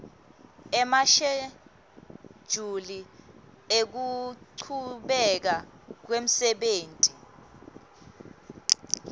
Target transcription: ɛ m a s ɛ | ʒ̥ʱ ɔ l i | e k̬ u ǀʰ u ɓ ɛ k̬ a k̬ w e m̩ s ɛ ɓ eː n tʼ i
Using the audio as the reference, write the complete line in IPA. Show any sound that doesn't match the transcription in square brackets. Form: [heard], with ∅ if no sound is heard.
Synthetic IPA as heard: ɛ m a [ʃ] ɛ | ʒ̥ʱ [u] l i | e k̬ u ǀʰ u ɓ ɛ k̬ a k̬ w e m̩ s ɛ ɓ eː n tʼ i